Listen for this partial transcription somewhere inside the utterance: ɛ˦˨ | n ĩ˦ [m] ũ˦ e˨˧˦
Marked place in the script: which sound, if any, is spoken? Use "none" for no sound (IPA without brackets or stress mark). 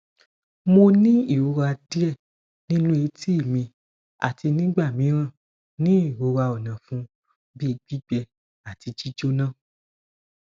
n